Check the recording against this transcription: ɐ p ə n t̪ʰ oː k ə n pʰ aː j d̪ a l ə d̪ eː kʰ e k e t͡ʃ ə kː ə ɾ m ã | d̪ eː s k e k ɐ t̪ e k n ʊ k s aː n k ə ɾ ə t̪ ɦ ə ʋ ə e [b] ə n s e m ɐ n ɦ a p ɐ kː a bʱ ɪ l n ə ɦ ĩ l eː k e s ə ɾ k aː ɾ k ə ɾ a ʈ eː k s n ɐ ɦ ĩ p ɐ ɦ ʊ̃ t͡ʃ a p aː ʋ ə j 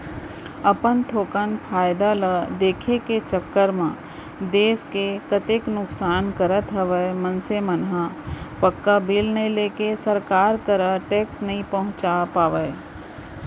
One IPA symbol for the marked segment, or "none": m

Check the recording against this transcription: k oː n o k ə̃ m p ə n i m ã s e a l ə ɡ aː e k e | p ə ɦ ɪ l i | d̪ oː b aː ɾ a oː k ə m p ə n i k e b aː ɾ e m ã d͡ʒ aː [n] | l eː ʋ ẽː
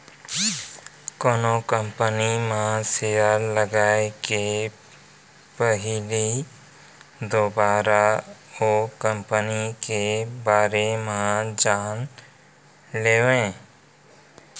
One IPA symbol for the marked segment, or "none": n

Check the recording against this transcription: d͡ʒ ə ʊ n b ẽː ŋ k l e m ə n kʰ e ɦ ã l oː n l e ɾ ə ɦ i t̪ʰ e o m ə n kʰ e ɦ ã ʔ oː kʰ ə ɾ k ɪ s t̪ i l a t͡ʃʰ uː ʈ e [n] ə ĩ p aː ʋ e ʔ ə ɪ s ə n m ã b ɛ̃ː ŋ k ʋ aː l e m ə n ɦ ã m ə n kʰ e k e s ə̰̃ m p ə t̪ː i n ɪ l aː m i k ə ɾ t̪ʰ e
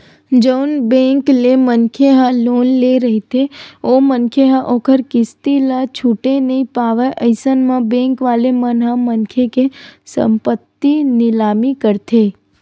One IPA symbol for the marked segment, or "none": n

